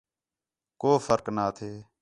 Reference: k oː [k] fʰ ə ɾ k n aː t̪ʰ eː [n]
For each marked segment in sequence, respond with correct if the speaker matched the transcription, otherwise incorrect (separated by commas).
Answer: incorrect, incorrect